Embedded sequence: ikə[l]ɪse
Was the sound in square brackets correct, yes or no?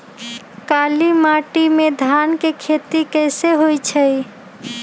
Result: no